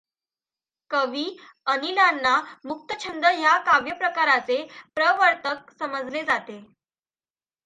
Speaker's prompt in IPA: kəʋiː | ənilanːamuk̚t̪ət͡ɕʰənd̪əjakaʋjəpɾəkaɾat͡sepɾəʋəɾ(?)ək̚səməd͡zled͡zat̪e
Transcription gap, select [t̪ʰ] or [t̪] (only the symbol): t̪